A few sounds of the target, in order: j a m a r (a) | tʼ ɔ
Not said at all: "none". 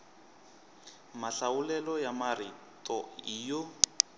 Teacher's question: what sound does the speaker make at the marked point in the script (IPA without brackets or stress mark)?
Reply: i